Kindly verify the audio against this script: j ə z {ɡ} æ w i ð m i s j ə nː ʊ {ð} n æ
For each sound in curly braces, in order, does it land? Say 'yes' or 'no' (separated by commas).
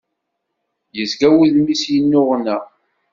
yes, no